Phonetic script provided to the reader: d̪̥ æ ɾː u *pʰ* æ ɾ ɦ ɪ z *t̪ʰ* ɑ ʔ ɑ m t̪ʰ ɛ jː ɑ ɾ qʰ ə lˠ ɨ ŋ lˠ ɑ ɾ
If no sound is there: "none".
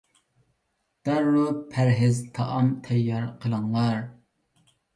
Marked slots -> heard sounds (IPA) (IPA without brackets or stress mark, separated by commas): pʰ, t̪ʰ